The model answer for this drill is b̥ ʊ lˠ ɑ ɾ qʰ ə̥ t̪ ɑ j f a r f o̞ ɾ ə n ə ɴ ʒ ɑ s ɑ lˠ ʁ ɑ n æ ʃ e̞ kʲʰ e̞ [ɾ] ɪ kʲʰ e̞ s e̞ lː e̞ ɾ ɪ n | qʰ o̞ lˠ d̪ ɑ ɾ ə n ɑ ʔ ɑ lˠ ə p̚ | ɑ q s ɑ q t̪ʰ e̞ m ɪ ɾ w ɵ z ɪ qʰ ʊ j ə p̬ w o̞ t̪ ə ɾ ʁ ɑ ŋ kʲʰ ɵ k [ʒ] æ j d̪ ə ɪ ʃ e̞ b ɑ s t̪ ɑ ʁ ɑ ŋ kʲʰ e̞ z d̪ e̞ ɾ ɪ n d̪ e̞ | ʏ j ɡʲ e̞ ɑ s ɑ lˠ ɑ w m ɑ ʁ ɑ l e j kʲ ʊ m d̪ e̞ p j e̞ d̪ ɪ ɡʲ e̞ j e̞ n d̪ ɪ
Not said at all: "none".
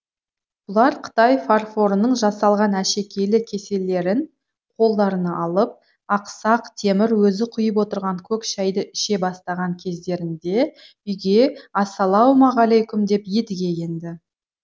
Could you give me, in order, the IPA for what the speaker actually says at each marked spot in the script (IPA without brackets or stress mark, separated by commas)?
l, ʃ